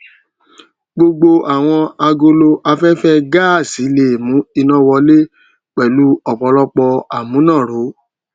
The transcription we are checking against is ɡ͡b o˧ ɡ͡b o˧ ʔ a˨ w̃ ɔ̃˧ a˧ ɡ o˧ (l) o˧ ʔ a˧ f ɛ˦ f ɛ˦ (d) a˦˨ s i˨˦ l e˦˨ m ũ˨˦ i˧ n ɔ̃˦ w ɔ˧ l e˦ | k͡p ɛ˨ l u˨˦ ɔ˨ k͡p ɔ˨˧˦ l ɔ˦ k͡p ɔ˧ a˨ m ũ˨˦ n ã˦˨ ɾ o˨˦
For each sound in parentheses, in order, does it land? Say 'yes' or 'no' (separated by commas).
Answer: yes, no